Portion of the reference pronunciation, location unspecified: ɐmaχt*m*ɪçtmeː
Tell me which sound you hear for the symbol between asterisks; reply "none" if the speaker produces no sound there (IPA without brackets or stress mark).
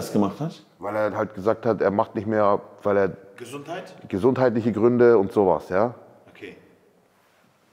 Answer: n